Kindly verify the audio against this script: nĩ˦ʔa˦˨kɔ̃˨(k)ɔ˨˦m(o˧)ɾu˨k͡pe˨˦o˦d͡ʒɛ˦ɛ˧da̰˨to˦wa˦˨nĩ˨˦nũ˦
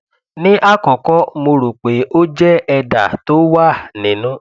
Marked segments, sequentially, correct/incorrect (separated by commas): correct, correct